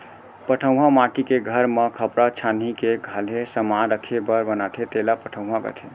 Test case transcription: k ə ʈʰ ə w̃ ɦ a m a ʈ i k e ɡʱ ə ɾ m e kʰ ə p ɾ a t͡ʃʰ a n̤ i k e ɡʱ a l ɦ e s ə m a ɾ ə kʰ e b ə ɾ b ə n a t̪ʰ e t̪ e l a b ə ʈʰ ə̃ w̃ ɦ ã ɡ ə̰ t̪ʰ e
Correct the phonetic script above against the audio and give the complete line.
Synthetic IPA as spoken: p ə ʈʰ ə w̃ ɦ a m a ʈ i k e ɡʱ ə ɾ m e kʰ ə p ɾ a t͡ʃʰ a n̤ i k e ɡʱ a l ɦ e s ə m a ɾ ə kʰ e b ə ɾ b ə n a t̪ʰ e t̪ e l a p ə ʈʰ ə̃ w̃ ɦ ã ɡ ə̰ t̪ʰ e